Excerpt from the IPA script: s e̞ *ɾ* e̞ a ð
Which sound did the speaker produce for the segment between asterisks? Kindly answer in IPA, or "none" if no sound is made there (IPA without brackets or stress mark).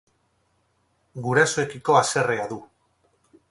r